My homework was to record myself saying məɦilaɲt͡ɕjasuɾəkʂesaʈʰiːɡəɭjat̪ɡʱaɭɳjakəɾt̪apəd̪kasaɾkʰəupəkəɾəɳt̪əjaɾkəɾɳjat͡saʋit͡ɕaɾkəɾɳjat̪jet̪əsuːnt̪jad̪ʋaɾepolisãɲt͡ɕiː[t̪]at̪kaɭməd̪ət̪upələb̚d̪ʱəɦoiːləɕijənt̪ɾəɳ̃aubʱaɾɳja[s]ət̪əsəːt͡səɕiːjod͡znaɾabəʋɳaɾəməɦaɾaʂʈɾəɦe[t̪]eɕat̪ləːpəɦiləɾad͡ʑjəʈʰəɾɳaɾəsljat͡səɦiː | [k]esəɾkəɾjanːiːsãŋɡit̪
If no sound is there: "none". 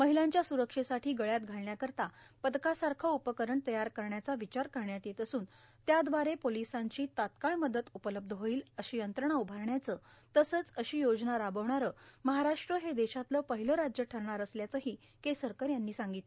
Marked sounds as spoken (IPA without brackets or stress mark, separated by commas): t̪, t͡s, d̪, k